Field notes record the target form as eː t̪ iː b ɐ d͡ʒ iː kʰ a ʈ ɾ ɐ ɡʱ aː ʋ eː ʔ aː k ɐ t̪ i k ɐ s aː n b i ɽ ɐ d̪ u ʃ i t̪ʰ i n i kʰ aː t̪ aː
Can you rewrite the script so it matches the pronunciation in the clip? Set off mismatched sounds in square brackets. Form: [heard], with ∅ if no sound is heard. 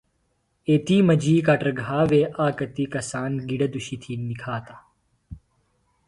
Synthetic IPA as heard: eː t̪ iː [m] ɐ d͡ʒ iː [k] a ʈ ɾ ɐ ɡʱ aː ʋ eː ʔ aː k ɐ t̪ i k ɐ s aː n [ɡ] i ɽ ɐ d̪ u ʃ i t̪ʰ i n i kʰ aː t̪ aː